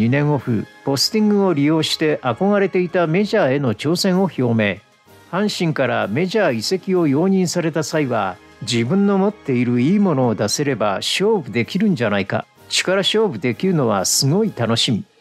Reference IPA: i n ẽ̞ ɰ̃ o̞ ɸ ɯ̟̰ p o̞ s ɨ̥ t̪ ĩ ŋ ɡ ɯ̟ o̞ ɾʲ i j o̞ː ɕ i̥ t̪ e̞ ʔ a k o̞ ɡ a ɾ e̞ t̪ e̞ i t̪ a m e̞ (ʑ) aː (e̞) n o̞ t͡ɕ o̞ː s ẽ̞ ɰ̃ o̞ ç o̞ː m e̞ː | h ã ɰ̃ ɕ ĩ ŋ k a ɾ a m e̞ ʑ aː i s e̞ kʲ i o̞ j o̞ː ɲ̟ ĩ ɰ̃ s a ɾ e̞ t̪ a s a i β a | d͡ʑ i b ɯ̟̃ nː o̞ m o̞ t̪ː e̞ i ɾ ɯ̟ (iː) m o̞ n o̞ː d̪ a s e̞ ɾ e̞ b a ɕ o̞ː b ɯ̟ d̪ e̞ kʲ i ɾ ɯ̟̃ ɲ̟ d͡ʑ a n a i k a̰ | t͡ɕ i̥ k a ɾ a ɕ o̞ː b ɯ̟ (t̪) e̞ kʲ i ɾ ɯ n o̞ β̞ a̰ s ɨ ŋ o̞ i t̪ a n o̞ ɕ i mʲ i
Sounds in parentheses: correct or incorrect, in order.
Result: correct, correct, correct, incorrect: d̪

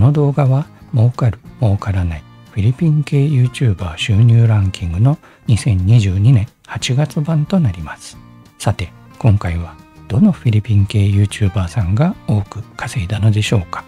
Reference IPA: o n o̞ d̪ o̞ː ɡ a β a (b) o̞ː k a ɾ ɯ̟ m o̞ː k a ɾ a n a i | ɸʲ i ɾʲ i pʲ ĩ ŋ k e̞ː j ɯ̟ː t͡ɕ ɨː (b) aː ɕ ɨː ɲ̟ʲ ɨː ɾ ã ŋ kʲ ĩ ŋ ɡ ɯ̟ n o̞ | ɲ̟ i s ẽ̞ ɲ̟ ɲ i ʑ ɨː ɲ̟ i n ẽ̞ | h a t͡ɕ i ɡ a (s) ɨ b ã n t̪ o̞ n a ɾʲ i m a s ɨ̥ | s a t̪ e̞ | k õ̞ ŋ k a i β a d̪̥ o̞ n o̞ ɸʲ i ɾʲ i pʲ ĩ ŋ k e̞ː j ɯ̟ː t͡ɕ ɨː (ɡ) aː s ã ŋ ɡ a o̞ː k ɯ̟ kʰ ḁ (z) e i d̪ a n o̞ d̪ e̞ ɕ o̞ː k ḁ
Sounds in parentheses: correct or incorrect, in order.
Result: incorrect: m, correct, incorrect: t͡s, incorrect: b, incorrect: s

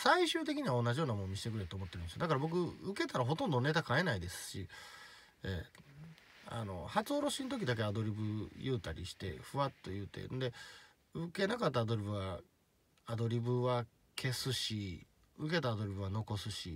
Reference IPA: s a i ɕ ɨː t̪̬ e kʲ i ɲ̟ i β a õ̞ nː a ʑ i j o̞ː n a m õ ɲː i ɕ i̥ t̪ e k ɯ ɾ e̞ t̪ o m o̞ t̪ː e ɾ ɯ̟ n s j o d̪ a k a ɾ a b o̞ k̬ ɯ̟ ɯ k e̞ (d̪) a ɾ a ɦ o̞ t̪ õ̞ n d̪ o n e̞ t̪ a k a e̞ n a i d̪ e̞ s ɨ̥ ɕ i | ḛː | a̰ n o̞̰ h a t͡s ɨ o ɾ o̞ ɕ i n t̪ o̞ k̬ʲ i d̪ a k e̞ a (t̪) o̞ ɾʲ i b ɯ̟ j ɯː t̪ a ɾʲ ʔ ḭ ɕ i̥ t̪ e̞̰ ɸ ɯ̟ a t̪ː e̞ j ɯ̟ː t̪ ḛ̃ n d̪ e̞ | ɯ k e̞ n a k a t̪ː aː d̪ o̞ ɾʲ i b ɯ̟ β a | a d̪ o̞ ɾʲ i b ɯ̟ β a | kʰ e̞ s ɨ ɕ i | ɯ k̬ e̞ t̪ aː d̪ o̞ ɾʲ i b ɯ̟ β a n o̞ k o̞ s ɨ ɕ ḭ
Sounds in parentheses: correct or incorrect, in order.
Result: incorrect: t̪, incorrect: d̪

